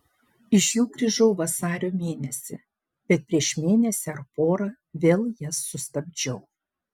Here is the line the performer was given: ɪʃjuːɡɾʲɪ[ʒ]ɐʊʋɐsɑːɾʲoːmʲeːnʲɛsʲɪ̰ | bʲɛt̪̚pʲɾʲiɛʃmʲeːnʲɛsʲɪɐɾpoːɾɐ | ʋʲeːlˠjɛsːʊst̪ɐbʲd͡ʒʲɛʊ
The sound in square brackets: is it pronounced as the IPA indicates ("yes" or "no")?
yes